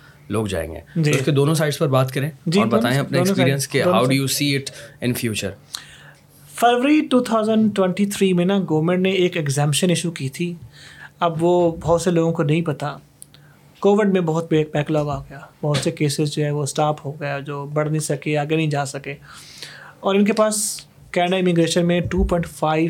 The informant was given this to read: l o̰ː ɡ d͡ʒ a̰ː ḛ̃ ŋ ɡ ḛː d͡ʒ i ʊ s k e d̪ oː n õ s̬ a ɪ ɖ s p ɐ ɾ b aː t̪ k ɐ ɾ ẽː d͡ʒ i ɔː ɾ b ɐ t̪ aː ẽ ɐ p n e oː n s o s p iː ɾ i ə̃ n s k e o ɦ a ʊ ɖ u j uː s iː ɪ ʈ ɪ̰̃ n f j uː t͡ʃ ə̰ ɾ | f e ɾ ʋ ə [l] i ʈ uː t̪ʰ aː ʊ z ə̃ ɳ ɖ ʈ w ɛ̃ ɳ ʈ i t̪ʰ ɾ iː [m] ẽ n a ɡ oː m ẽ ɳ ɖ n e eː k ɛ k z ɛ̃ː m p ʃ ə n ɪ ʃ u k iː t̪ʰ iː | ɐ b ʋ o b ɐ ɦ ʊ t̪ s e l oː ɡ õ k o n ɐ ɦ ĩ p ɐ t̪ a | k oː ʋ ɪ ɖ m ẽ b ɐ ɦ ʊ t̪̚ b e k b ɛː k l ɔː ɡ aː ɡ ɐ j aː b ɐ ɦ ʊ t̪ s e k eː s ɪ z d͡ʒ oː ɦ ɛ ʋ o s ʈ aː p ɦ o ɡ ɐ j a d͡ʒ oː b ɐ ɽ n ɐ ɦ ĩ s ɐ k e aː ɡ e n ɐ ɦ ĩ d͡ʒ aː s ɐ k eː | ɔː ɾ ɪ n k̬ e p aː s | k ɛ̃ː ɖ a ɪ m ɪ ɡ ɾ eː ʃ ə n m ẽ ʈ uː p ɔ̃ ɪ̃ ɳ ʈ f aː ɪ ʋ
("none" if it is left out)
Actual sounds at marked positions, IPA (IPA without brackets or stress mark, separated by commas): ɾ, m